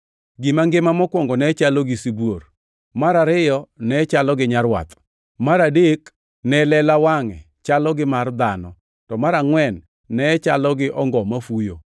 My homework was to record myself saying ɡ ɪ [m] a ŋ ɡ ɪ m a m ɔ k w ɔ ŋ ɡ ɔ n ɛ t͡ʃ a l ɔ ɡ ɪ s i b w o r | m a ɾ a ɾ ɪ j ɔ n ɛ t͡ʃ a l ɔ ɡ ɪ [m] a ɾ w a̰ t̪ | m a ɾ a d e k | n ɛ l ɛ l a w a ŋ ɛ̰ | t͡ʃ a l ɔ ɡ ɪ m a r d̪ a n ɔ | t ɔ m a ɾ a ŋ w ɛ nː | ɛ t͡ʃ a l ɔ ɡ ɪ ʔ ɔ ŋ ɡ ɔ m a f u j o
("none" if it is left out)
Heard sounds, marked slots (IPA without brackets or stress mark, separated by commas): m, ɲ